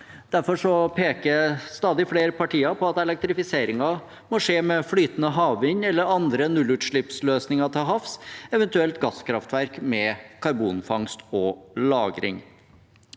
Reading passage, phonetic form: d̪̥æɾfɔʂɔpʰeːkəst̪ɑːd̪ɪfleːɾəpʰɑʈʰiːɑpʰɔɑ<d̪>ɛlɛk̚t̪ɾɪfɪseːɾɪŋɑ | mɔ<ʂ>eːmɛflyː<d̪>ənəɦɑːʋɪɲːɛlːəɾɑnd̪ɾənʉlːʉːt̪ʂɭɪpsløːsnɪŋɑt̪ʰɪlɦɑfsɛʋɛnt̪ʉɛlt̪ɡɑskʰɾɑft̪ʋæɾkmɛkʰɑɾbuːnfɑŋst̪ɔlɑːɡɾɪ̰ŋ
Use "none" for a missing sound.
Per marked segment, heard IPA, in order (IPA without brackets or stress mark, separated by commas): t̪, ʂ, t̪